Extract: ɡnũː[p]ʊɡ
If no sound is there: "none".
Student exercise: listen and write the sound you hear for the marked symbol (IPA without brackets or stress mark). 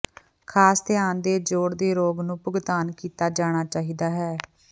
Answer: p